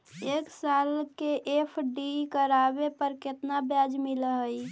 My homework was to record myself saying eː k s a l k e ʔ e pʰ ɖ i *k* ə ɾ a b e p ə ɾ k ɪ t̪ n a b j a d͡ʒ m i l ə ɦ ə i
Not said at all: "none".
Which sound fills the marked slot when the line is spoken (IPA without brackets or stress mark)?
k